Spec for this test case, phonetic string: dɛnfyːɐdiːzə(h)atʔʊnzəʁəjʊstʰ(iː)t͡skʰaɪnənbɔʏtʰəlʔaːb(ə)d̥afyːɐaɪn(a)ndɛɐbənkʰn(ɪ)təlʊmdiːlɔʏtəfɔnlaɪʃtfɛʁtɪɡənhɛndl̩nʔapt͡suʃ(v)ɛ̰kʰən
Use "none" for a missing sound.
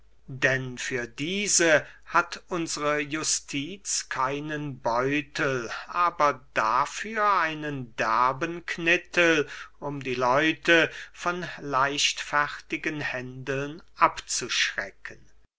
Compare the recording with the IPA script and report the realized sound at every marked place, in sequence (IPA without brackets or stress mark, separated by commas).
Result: h, iː, ɐ, ə, ɪ, ʁ